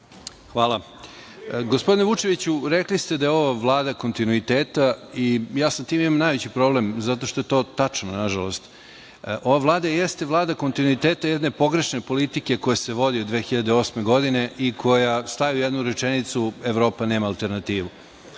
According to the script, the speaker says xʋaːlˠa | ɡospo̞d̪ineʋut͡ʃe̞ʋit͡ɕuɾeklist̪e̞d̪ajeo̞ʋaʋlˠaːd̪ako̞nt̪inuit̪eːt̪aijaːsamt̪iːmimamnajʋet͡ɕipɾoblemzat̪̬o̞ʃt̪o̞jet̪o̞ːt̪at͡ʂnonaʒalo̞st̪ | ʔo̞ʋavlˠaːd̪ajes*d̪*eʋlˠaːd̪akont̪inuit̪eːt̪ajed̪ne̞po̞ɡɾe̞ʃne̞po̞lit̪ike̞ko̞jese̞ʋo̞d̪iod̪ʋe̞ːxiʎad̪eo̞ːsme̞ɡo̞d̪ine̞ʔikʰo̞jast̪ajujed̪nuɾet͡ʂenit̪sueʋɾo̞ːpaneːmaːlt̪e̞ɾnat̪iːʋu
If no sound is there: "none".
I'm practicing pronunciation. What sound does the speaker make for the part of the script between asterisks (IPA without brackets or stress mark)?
t̪